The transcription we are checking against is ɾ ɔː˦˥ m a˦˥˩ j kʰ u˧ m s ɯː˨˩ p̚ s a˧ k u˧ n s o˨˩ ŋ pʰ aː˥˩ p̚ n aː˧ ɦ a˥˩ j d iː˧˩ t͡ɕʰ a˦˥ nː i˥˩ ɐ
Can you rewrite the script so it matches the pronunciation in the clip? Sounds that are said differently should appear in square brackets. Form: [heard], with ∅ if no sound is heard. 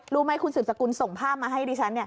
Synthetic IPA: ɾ [uː˦˥] m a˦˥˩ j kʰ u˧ [n] s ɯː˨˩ p̚ s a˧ k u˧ n s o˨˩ ŋ pʰ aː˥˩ p̚ [m] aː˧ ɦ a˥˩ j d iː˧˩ t͡ɕʰ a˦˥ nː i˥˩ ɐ